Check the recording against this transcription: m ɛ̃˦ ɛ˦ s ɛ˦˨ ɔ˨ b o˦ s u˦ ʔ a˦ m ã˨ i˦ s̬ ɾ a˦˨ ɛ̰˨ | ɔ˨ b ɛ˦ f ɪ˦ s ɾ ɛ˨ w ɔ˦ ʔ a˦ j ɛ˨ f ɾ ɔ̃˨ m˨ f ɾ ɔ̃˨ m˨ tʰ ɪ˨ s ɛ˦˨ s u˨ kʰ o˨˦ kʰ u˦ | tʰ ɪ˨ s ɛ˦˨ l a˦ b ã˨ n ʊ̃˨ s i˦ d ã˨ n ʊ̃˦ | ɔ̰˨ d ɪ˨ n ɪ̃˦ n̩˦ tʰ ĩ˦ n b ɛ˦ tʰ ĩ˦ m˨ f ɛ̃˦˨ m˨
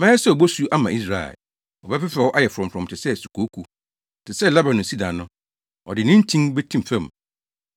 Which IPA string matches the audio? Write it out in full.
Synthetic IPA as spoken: m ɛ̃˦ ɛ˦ s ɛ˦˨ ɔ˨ b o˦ s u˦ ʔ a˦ m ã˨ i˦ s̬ ɾ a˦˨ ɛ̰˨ | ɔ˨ b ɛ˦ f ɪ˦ f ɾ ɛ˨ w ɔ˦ ʔ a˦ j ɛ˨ f ɾ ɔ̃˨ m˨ f ɾ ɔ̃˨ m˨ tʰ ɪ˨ s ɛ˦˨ s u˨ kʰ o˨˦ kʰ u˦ | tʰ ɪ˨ s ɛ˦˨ l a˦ b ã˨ n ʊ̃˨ s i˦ d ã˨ n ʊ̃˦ | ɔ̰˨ d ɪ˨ n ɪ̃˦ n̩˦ tʰ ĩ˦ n b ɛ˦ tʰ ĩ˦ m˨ f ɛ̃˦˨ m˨

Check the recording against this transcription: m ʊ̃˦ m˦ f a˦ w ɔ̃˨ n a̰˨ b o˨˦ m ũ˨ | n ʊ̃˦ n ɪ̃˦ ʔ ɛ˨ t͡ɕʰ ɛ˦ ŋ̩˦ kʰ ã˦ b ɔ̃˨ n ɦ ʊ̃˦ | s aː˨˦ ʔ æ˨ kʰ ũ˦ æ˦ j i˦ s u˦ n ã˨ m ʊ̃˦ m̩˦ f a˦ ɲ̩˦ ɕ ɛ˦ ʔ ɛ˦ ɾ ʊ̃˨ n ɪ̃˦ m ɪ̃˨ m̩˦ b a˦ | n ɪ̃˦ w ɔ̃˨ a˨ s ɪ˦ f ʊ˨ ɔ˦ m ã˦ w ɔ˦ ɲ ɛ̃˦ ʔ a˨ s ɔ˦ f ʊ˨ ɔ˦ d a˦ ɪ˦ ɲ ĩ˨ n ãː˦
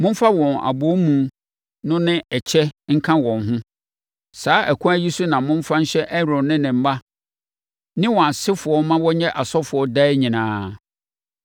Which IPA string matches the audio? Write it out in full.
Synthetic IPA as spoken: m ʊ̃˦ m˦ f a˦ w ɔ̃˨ n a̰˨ b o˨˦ m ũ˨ | n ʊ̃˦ n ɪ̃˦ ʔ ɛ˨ t͡ɕʰ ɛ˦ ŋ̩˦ kʰ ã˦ w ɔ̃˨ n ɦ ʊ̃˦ | s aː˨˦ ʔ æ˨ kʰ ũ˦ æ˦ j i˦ s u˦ n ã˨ m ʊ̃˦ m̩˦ f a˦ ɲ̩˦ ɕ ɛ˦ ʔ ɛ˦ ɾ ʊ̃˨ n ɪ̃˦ n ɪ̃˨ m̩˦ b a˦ | n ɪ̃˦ w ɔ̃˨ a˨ s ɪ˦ f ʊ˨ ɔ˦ m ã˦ w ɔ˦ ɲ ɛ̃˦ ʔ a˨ s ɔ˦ f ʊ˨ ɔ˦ d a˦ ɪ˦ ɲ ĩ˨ n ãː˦

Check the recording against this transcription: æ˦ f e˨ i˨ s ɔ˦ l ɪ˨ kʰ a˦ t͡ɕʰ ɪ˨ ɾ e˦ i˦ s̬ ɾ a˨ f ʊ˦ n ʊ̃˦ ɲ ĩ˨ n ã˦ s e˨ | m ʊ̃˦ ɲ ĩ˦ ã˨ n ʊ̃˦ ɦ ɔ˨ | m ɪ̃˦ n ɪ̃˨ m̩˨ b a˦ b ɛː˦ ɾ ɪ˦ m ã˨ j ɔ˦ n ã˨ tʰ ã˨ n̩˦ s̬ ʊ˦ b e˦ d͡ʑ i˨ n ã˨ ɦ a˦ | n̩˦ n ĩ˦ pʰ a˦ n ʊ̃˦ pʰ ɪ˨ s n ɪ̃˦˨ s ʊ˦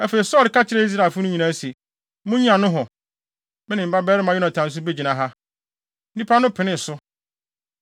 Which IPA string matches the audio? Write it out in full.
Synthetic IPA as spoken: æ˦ f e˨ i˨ s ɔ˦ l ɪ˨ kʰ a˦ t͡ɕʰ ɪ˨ ɾ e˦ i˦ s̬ ɾ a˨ f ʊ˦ n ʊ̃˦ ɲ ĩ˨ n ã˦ s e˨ | m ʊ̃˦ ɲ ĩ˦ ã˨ n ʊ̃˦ ɦ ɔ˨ | m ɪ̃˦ n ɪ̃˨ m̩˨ b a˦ b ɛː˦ ɾ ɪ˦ m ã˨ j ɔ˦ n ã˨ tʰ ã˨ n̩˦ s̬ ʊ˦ b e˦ d͡ʑ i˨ n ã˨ ɦ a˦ | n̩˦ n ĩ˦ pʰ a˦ n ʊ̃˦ pʰ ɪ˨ n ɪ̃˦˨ s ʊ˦

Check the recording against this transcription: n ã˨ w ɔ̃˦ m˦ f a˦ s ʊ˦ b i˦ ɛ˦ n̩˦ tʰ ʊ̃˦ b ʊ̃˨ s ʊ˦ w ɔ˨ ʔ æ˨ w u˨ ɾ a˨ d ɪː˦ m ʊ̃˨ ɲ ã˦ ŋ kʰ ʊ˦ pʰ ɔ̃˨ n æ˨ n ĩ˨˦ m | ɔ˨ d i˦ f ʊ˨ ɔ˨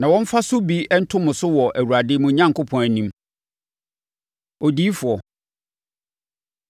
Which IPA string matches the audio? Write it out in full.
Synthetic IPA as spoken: n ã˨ w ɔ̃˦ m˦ f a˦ s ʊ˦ b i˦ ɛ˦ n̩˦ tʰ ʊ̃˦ m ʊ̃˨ s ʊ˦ w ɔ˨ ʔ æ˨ w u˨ ɾ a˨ d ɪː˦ m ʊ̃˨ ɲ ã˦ ŋ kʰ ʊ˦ pʰ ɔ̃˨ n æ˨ n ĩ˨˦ m | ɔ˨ d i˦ f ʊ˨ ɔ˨

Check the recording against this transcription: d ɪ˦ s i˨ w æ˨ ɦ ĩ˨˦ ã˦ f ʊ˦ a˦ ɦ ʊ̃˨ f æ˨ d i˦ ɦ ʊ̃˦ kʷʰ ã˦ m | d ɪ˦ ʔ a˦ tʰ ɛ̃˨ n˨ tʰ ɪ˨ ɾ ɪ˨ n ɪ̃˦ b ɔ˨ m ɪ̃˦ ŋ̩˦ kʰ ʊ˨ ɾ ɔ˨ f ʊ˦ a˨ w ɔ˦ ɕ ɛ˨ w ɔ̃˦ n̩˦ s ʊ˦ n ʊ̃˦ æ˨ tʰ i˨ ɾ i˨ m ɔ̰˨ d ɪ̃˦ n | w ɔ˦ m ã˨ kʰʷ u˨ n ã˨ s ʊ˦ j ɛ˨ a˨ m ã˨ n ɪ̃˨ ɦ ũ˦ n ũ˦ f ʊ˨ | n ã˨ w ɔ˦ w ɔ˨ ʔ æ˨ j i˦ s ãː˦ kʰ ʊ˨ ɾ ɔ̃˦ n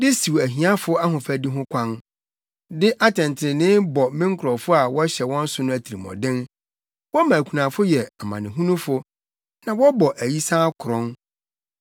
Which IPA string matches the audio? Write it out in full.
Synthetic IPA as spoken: d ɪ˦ s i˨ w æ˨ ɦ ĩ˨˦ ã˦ f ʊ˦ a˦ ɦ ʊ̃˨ f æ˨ d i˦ ɦ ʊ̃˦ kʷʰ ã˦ n | d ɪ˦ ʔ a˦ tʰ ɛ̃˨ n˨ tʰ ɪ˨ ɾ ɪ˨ n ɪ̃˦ b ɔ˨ m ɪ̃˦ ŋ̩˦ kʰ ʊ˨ ɾ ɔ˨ f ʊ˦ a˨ w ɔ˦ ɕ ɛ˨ w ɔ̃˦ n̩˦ s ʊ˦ n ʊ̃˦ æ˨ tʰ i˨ ɾ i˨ m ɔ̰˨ d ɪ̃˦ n | w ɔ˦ m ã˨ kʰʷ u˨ n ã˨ f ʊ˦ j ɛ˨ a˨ m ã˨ n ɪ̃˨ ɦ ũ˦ n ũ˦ f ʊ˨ | n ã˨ w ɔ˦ b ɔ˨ ʔ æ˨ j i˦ s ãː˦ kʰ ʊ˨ ɾ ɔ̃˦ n

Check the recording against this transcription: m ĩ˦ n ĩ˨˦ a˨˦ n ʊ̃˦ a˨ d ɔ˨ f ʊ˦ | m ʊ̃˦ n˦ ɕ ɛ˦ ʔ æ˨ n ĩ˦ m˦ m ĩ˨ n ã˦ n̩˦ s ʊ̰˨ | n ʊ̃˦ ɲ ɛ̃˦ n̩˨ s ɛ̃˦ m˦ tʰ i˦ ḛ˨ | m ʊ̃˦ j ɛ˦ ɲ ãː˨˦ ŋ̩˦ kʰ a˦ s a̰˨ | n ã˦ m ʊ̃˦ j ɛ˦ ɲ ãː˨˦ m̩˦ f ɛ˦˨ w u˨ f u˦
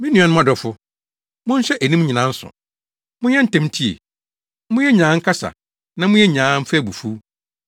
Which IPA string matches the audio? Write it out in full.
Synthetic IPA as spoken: m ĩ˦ n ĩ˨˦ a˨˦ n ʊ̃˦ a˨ d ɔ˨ f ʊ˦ | m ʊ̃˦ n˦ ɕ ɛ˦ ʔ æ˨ n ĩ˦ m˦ ɲ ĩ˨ n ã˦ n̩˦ s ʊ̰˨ | m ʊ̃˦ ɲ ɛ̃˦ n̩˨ t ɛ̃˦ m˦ tʰ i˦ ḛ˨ | m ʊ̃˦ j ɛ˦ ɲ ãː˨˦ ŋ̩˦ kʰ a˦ s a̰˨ | n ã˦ m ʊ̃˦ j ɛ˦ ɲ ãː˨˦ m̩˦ f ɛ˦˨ b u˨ f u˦

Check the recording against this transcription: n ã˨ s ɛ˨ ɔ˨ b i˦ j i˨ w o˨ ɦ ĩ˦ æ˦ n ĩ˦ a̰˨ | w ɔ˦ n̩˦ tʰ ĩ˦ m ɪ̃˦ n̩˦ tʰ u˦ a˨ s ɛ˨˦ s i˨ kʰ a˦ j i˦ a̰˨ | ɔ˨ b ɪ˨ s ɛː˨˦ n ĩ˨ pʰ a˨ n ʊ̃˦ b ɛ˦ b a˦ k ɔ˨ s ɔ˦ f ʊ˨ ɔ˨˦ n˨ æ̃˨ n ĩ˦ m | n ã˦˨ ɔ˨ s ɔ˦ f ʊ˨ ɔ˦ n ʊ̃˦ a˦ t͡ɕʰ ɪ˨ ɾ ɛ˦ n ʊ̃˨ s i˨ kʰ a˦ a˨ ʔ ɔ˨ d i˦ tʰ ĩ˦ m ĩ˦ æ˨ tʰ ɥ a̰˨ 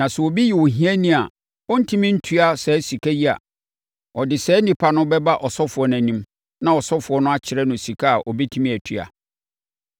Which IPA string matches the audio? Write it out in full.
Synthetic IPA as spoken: n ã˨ s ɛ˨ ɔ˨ b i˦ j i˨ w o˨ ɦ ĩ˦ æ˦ n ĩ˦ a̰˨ | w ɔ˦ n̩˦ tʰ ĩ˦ m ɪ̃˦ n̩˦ tʰ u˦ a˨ s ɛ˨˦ s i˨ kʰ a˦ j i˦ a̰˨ | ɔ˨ d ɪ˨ s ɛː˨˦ n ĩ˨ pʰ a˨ n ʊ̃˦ b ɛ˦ b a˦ ʔ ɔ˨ s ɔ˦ f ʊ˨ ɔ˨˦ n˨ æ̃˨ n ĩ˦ m | n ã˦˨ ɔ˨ s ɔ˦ f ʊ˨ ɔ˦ n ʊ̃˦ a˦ t͡ɕʰ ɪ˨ ɾ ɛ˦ n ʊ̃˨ s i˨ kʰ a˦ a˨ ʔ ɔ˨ b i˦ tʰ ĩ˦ m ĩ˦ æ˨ tʰ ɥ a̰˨

